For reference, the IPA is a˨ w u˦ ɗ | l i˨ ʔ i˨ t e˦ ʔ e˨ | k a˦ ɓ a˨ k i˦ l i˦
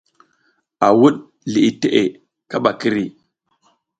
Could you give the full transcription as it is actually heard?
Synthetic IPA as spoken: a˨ w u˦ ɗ | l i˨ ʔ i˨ t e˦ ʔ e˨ | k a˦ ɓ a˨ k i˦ ɾ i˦